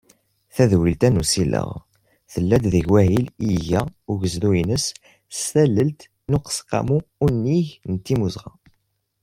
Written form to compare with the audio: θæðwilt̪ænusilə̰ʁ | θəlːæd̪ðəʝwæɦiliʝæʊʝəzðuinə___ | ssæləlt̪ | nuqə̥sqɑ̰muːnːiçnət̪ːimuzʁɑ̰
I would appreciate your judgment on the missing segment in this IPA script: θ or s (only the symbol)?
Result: s